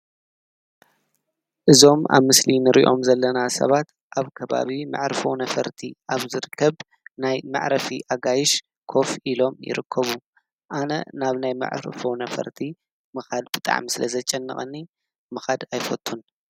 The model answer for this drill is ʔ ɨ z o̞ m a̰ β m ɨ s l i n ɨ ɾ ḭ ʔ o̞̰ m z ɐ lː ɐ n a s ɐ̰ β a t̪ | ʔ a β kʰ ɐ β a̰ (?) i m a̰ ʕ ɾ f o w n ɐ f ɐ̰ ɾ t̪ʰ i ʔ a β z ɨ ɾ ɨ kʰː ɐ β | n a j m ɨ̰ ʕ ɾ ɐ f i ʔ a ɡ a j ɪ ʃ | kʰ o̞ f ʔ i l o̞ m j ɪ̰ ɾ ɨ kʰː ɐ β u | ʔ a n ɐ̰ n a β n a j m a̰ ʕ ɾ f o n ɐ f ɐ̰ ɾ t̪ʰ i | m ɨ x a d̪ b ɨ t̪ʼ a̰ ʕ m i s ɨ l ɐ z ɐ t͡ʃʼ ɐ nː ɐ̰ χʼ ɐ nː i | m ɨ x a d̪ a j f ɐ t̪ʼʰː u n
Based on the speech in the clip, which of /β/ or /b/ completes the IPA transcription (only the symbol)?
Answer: β